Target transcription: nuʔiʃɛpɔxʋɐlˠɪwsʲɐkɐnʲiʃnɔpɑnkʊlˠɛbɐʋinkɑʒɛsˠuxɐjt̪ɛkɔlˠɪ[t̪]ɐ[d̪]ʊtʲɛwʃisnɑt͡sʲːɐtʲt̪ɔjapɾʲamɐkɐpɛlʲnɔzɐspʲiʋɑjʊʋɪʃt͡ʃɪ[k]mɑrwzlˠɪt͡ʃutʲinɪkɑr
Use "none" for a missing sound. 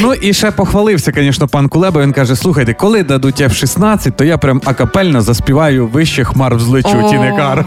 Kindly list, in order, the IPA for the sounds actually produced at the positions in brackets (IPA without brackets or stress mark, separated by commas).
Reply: d̪, d̪, x